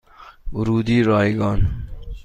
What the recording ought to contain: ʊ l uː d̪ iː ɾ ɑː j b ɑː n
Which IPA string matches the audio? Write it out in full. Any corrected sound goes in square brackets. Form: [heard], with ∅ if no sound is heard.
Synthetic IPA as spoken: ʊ [ɾ] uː d̪ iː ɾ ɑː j [ɡ] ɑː n